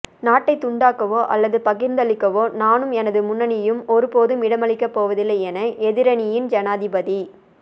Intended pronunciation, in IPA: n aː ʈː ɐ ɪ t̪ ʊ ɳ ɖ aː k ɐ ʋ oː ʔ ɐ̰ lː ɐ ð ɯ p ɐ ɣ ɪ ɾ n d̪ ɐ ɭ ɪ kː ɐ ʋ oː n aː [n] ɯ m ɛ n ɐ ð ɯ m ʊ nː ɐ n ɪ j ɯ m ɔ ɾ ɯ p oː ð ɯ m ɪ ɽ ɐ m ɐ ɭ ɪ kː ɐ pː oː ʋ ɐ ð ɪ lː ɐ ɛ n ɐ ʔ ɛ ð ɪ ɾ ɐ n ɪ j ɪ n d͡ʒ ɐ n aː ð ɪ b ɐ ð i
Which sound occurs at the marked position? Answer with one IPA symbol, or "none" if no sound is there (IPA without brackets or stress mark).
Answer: n